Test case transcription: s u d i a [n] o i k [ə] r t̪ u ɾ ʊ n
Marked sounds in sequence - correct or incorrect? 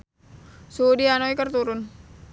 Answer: correct, correct

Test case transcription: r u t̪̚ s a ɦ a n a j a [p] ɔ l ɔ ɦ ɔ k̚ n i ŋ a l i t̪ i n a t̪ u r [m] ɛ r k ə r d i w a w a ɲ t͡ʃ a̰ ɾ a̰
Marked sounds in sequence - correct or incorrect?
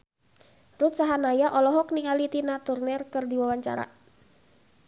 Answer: incorrect: ʔ, incorrect: n

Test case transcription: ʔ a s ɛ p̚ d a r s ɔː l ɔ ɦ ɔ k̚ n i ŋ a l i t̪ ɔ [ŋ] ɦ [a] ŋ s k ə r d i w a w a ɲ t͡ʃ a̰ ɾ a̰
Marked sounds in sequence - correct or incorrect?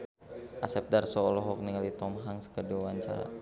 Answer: incorrect: m, correct

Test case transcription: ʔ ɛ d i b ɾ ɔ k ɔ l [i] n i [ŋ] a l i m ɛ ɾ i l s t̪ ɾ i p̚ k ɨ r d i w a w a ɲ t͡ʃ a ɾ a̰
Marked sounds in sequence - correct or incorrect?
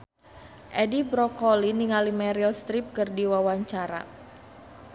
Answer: correct, correct

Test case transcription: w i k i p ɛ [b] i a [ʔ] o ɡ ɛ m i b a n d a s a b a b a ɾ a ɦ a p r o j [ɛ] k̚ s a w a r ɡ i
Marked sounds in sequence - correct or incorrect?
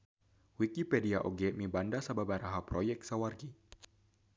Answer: incorrect: d, correct, correct

